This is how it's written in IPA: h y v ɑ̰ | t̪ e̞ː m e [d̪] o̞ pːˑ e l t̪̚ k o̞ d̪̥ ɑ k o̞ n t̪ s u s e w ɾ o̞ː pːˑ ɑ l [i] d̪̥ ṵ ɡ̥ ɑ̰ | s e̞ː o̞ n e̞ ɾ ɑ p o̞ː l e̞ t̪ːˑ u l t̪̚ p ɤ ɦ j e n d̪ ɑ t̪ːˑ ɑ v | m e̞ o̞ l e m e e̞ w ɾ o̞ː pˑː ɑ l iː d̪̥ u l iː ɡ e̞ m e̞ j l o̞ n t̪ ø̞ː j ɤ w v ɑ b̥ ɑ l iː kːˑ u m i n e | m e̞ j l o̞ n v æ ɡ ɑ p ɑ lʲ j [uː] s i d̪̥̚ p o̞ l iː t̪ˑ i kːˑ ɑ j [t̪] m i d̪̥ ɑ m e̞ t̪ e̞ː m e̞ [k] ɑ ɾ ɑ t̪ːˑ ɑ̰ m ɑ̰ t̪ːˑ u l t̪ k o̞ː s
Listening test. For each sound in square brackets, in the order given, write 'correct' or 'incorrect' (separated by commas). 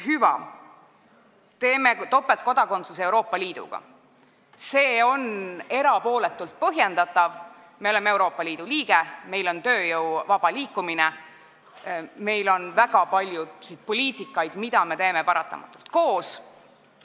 incorrect, incorrect, incorrect, incorrect, incorrect